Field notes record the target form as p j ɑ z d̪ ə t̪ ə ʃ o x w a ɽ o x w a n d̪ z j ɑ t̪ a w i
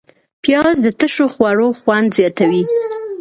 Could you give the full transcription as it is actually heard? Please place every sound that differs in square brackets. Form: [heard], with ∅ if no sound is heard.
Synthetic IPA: p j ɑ z d̪ ə t̪ ə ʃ o x w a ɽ o x w a n d̪ z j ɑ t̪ a w i

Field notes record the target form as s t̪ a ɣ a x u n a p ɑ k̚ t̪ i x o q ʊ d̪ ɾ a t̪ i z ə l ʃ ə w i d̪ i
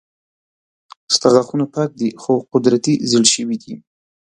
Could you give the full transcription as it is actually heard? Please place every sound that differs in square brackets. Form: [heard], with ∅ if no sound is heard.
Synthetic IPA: s t̪ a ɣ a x u n a p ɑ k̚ [d̪] i x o q ʊ d̪ ɾ a t̪ i z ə l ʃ ə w i d̪ i

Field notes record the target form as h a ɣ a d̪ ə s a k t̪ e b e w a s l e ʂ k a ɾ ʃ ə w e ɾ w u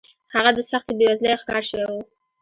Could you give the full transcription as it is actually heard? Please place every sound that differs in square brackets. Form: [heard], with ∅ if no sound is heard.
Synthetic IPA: h a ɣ a d̪ ə s a [x] t̪ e b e w a [z] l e [x] k [ɑ] ɾ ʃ ə w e [∅] w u

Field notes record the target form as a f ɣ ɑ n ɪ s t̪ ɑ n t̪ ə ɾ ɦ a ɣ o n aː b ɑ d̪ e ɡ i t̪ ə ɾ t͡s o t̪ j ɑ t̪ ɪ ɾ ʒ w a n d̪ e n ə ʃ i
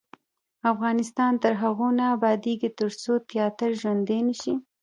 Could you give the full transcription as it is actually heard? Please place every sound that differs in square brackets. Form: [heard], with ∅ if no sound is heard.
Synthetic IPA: a f ɣ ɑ n ɪ s t̪ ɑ n t̪ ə ɾ ɦ a ɣ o n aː b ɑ d̪ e ɡ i t̪ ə ɾ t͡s o t̪ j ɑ t̪ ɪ ɾ ʒ w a n d̪ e n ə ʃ i

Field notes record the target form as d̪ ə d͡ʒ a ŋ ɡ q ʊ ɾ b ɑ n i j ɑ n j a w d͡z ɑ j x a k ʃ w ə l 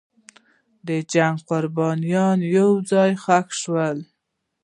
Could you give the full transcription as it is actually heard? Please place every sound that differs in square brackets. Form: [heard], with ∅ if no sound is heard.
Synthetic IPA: d̪ ə d͡ʒ a ŋ ɡ q ʊ ɾ b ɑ n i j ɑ n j a w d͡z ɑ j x a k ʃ w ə l

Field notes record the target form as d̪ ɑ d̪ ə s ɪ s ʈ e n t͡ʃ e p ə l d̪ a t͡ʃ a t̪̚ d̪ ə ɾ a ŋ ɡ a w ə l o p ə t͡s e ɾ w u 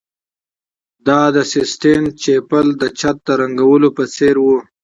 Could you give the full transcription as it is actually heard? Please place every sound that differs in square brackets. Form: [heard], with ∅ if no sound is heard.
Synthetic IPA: d̪ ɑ d̪ ə s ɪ s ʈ e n t͡ʃ e p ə l d̪ [ə] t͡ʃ a t̪̚ d̪ ə ɾ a ŋ ɡ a w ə l o p ə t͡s e ɾ w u

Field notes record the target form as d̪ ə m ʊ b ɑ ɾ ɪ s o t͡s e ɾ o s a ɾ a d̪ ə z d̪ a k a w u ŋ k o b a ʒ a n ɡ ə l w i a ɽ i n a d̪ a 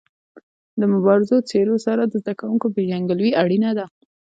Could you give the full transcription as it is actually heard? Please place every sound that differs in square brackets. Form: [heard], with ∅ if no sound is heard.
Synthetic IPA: d̪ ə m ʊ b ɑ ɾ ɪ [z] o t͡s e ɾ o s a ɾ a d̪ ə z d̪ a k a w u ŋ k o b [e] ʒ a [ŋ] ɡ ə l w i a ɽ i n a d̪ a

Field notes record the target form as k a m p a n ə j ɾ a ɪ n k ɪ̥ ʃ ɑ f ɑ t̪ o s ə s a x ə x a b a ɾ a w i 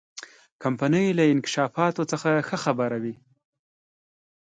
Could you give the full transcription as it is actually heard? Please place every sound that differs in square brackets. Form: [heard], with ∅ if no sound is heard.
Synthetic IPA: k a m p a n ə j [l] a ɪ n k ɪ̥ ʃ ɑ f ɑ t̪ o [t͡s] ə [x] a x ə x a b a ɾ a w i

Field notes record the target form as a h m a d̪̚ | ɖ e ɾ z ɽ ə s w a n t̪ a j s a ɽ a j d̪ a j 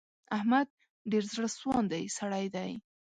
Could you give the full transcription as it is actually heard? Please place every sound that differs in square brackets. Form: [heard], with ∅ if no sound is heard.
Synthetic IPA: a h m a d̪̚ | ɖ e ɾ z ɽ ə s w [ɑ] n [d̪] a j s a ɽ a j d̪ a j

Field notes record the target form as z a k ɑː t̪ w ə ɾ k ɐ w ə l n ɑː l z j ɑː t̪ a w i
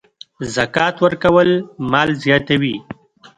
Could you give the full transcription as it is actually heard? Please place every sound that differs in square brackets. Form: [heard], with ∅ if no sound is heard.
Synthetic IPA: z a k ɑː t̪ w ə ɾ k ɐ w ə l [m] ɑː l z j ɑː t̪ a w i

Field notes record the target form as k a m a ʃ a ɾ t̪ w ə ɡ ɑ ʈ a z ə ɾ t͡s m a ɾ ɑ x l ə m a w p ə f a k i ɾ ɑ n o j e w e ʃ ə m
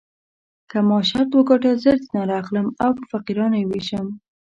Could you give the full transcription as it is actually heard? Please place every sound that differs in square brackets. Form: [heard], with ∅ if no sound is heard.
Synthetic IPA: k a m [ɑ] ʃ a ɾ t̪ w ə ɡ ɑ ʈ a z ə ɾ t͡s [n] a ɾ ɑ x l ə m a w p ə f a [q] i ɾ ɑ n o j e w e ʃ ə m

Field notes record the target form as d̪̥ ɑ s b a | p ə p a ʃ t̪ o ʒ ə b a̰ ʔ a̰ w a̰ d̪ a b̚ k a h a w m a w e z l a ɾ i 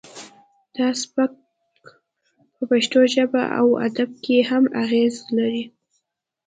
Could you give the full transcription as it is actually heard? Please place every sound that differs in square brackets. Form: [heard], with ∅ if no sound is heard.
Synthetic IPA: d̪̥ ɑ s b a | p ə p a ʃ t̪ o ʒ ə b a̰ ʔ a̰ w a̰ d̪ a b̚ k [e] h a [∅] m a [ɣ] e z l a ɾ i

